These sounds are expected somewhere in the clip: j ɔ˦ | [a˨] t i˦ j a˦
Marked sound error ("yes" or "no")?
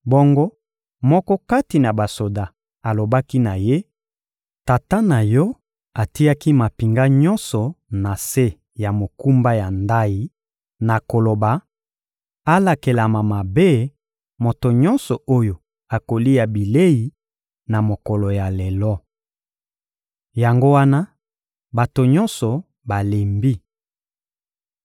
no